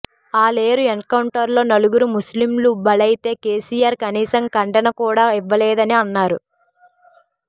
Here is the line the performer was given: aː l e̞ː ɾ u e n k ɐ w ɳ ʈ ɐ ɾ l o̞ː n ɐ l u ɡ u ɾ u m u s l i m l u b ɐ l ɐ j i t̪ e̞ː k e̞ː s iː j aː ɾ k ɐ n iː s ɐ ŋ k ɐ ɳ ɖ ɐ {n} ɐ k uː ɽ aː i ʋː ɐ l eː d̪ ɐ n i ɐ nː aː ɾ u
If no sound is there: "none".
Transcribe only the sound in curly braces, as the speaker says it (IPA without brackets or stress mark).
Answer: n